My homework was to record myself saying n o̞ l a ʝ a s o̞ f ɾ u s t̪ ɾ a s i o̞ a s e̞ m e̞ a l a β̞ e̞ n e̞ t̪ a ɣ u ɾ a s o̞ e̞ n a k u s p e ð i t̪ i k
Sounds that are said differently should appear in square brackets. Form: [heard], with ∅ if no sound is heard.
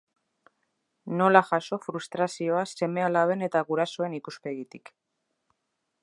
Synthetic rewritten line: n o̞ l a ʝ a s o̞ f ɾ u s t̪ ɾ a s i o̞ a s e̞ m e̞ a l a β̞ e̞ n e̞ t̪ a ɣ u ɾ a s o̞ e̞ n [i] k u s p e [ɣ] i t̪ i k